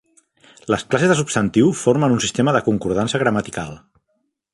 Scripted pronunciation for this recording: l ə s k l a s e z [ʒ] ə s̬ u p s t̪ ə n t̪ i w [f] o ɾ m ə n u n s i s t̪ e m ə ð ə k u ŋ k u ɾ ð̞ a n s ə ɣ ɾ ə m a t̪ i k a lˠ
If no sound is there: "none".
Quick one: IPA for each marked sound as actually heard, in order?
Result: ð, f

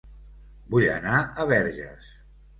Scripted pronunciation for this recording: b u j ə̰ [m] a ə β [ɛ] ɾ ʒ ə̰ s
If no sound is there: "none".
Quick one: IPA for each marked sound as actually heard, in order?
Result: n, ɛ

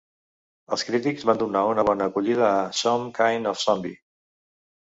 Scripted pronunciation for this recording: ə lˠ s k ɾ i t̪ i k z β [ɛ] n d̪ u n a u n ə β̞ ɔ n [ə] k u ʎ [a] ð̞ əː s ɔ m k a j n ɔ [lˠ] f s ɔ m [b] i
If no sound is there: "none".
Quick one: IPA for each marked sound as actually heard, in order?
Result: a, əː, i, none, b

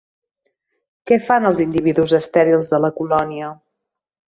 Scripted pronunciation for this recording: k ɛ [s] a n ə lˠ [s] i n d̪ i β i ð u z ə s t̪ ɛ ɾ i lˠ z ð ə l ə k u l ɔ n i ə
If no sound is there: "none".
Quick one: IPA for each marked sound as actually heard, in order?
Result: f, z

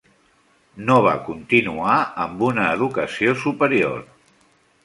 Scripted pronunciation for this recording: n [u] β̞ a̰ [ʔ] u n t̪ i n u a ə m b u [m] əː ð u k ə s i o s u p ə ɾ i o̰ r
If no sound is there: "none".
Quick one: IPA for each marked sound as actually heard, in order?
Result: o, k, n

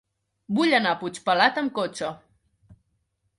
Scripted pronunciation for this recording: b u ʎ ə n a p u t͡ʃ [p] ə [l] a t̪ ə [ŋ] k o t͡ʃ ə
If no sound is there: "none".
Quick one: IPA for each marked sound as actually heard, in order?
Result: p, l, m

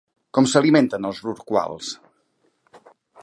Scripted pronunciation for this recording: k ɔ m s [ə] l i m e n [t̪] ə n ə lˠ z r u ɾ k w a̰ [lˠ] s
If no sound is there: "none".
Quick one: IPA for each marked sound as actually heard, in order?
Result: ə, t̪, lˠ

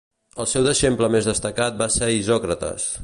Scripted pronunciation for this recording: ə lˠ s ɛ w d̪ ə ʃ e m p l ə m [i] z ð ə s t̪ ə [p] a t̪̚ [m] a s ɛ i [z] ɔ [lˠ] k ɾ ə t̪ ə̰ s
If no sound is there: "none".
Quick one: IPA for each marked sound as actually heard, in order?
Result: e, k, b, z, none

